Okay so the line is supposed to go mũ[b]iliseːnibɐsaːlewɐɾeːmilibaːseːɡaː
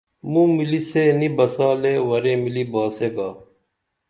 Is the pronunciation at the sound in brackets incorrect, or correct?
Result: incorrect